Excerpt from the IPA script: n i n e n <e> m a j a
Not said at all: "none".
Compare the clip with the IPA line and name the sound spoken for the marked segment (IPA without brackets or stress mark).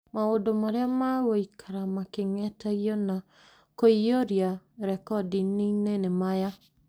e